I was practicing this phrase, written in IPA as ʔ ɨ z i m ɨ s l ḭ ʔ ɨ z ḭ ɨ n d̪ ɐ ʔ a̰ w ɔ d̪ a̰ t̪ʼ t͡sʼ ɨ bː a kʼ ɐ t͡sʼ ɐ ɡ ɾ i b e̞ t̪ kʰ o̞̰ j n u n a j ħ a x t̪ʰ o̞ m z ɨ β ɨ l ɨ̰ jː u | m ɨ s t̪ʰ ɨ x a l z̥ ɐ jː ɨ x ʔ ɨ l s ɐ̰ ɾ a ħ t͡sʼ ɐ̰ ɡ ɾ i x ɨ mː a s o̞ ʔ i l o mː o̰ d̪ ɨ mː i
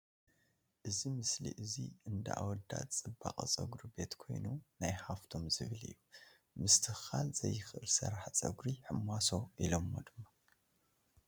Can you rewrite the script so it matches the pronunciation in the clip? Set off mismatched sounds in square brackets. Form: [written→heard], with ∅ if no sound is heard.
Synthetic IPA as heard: ʔ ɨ z i m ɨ s l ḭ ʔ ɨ z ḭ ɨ n d̪ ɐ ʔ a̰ w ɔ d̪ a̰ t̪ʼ t͡sʼ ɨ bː a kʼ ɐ t͡sʼ ɐ ɡ ɾ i b e̞ t̪ kʰ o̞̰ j n u n a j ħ a [x→f] t̪ʰ o̞ m z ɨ β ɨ l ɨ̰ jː u | m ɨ s t̪ʰ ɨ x a l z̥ ɐ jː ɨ x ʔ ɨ l s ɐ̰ ɾ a ħ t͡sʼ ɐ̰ ɡ ɾ i [x→ħ] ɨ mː a s o̞ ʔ i l o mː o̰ d̪ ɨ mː [i→a]